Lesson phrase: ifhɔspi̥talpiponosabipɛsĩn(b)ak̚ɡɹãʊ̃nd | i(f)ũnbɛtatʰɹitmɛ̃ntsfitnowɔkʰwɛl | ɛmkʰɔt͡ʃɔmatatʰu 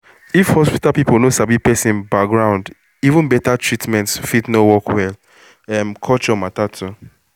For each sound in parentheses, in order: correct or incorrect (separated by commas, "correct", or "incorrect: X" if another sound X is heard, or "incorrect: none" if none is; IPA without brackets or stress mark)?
correct, incorrect: v